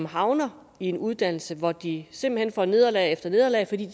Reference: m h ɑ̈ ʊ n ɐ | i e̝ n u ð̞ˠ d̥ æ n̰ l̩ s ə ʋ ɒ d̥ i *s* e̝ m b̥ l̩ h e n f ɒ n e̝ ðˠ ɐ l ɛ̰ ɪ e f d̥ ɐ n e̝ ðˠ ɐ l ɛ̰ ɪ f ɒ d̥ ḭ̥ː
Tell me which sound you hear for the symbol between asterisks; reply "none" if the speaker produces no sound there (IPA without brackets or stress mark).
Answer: s